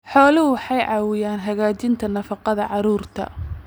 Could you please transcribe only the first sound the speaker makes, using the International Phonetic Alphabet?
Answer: ħ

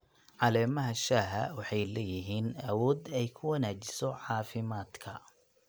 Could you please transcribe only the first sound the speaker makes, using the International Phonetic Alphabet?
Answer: ʕ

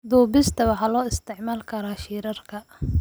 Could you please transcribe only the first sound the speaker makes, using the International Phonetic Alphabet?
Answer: d̪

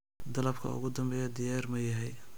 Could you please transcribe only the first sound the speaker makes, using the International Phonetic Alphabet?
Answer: d̪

